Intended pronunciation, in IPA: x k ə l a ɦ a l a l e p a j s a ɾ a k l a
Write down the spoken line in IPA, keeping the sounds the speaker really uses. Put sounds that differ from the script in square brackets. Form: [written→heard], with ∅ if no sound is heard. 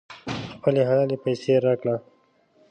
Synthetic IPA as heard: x [k→p] ə l [a→e] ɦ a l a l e p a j s [a→e] ɾ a k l a